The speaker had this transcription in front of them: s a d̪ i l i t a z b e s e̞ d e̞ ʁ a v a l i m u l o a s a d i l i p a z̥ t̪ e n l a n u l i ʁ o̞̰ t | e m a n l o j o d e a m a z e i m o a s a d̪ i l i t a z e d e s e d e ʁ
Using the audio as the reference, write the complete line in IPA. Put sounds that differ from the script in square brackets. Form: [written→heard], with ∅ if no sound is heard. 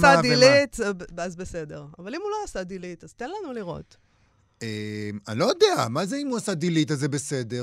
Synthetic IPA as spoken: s a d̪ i l i t a z b e s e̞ d e̞ ʁ a v a l i m u l o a s a d i l i [p→t] a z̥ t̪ e n l a n u l i ʁ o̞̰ t | e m a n l o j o d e a m a z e i m [o→u] a s a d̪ i l i t a z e [d→b] e s e d e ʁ